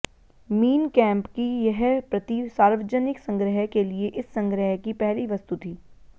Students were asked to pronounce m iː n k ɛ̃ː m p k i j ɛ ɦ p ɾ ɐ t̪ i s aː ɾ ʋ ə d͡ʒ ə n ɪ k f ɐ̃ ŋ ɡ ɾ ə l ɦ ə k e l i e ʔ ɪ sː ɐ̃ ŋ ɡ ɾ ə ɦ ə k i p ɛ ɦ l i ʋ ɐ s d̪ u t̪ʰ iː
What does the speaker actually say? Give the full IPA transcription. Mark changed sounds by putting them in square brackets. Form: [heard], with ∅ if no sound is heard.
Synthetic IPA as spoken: m iː n k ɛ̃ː m p k i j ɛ ɦ p ɾ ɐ t̪ i s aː ɾ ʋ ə d͡ʒ ə n ɪ k [s] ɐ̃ ŋ ɡ ɾ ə [∅] ɦ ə k e l i e ʔ ɪ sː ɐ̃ ŋ ɡ ɾ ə ɦ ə k i p ɛ ɦ l i ʋ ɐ s [t̪] u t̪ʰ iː